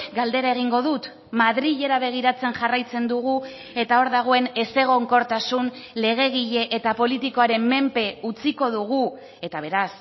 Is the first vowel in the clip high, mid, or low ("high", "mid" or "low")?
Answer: low